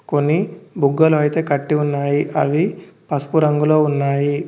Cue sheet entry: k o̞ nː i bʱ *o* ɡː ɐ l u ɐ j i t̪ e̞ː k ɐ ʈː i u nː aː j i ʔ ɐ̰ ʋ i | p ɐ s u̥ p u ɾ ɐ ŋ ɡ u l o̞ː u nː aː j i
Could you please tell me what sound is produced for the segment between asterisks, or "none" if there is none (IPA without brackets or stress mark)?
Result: u